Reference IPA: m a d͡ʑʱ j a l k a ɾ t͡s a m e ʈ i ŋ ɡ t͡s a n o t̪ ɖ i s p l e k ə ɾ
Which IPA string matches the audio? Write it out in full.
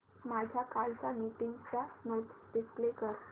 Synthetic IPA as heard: m a d͡ʑʱ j a k a l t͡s a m i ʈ i ŋ ɡ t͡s a n o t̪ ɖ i s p l e k ə ɾ